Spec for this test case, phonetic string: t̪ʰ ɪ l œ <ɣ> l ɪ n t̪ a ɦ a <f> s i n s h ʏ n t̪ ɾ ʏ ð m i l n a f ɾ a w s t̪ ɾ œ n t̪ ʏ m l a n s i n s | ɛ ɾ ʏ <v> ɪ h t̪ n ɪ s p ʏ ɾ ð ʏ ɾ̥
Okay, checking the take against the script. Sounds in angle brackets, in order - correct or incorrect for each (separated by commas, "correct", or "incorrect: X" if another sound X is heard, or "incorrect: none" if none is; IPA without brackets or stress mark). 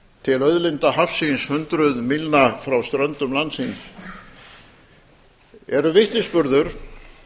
incorrect: ð, correct, correct